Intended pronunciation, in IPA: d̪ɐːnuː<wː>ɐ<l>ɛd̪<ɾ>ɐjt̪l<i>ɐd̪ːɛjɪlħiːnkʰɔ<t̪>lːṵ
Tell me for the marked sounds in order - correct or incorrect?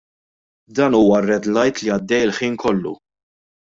incorrect: w, incorrect: r, incorrect: l, correct, incorrect: none

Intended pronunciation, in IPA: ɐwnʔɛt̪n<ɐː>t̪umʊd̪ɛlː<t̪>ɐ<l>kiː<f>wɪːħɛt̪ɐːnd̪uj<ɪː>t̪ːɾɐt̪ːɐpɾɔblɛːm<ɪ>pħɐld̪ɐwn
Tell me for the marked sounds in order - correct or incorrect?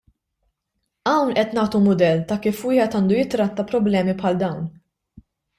correct, correct, incorrect: none, correct, incorrect: ɪ, incorrect: i

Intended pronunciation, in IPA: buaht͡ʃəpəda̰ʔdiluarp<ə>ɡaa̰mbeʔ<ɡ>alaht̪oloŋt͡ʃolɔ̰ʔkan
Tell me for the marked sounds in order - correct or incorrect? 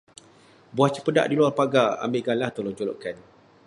incorrect: a, correct

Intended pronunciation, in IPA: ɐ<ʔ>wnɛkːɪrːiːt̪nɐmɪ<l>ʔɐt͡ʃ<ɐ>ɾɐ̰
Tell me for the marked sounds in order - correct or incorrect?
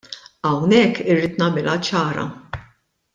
incorrect: none, correct, incorrect: ɐː

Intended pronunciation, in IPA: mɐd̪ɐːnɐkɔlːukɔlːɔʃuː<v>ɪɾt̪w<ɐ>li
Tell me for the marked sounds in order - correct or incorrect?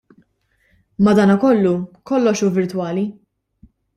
correct, incorrect: ɐː

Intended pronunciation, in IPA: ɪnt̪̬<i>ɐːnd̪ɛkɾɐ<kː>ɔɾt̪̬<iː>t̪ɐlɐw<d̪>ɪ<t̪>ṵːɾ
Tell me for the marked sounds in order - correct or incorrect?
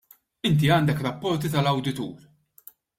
correct, incorrect: pː, incorrect: i, correct, correct

